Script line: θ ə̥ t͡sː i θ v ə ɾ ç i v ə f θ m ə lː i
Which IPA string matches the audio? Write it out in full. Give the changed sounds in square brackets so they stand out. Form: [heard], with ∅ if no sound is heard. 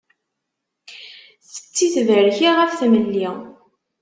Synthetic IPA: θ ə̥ t͡sː i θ v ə ɾ ç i [ʁ] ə f θ m ə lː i